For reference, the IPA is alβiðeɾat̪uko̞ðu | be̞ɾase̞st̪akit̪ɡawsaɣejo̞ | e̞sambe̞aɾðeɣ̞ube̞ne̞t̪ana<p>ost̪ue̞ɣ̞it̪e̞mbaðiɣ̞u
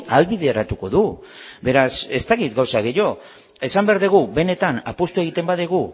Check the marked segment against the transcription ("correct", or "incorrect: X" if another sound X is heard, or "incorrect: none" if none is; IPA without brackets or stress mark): correct